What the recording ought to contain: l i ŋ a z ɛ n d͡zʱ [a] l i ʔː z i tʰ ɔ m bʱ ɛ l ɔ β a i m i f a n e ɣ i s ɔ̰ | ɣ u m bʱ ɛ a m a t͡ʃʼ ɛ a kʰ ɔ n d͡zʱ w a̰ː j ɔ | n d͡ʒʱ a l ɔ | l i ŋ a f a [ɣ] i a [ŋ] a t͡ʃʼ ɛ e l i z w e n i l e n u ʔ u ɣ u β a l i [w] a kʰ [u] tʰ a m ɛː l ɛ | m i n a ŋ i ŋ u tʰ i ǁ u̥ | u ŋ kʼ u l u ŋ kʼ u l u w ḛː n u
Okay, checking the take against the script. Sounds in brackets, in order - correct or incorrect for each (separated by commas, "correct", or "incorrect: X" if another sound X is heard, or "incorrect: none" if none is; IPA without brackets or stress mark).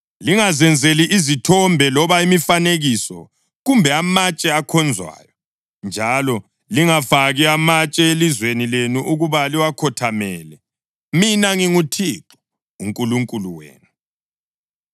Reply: incorrect: e, correct, incorrect: m, correct, incorrect: ɔ